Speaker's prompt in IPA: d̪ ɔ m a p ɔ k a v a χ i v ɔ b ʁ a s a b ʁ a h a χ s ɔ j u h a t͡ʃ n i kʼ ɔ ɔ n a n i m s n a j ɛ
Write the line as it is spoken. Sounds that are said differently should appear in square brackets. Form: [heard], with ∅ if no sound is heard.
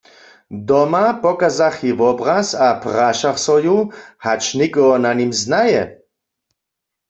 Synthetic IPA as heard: d̪ ɔ m a p ɔ k a [z] a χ i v ɔ b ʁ a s a [p] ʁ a [ʃ] a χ s ɔ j u h a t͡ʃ n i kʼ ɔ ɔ n a n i m [z] n a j ɛ